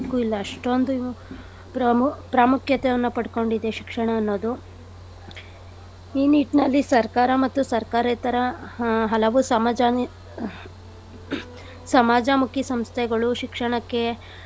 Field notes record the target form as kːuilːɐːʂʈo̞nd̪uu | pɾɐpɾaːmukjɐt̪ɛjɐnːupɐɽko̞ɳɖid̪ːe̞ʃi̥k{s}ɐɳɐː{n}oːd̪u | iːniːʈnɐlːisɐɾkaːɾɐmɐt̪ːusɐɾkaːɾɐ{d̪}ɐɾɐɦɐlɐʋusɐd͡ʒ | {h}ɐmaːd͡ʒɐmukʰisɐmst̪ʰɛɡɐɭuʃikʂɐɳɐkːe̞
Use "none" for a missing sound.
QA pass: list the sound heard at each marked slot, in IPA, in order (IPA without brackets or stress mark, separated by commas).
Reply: ʂ, nː, t̪, s